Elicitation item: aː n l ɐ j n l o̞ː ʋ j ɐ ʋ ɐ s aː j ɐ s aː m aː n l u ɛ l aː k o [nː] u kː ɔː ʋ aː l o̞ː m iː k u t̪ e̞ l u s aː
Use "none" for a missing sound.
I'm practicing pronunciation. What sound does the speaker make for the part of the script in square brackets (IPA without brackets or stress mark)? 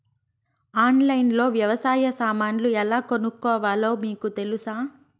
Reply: n